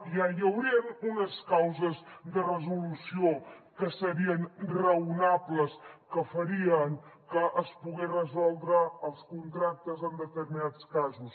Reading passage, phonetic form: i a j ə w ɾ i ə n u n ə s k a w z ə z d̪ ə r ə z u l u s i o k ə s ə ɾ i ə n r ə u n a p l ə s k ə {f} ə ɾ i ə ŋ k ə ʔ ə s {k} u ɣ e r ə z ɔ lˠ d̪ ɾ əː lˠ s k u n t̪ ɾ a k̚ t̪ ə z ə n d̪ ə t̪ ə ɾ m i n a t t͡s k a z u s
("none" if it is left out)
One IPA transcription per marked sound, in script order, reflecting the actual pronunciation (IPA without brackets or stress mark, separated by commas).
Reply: f, p